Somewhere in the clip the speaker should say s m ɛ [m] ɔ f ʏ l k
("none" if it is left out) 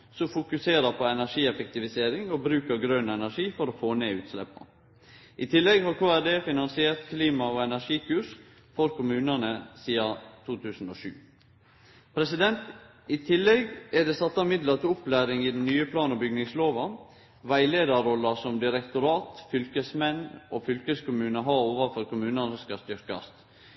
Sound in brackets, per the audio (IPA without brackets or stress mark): n